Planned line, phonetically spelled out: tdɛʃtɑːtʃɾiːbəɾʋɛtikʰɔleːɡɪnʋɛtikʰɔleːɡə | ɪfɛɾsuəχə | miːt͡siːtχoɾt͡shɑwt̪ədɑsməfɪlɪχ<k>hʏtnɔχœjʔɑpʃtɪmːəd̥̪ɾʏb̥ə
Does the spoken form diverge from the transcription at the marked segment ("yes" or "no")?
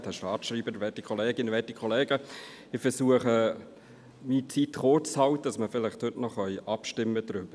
yes